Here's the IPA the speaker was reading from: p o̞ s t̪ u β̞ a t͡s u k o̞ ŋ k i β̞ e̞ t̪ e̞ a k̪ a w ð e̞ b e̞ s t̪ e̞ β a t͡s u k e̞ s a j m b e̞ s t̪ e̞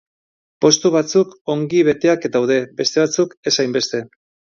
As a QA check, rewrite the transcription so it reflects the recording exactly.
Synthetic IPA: p o̞ s t̪ u β̞ a t͡s u k o̞ ŋ ɡ i β̞ e̞ t̪ e̞ a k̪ a w ð e̞ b e̞ s t̪ e̞ β a t͡s u k e̞ s a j m b e̞ s t̪ e̞